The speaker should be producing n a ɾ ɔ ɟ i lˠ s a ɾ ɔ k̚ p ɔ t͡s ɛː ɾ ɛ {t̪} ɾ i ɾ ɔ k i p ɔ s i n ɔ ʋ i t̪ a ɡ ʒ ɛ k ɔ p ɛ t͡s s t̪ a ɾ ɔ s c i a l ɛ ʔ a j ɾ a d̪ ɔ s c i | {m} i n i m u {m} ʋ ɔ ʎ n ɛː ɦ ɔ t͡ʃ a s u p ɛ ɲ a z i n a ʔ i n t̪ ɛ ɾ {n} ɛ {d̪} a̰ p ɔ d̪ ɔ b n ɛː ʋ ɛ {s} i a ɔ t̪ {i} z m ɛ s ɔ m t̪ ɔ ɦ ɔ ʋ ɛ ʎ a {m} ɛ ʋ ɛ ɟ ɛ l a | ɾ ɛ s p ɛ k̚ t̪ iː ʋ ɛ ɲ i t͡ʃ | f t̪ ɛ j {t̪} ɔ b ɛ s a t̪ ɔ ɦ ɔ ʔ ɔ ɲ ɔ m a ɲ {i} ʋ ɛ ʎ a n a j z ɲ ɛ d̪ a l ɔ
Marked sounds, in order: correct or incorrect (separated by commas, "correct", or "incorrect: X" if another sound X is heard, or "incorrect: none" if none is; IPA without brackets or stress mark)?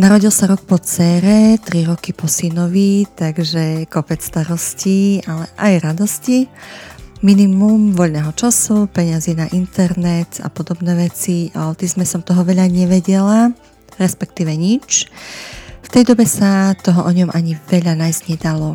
correct, correct, correct, correct, incorrect: t̪, incorrect: t͡s, correct, incorrect: ɲ, incorrect: d̪, correct